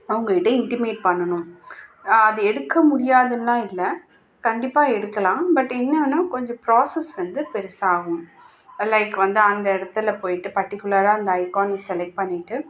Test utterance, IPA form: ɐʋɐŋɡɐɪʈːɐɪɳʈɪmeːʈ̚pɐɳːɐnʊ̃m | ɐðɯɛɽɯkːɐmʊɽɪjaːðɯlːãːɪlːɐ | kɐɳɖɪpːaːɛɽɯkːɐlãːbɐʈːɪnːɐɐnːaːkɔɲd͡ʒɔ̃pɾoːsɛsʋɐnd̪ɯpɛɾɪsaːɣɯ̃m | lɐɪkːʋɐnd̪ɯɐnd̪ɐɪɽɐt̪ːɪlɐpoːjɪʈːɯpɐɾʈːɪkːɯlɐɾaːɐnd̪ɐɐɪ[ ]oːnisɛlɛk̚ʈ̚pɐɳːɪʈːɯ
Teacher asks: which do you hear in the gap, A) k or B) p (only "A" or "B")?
A